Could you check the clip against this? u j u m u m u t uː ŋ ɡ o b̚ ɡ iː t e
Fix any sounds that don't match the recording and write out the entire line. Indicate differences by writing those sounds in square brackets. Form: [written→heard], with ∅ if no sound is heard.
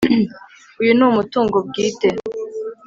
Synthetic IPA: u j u [m→n] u m u t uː ŋ ɡ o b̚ ɡ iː t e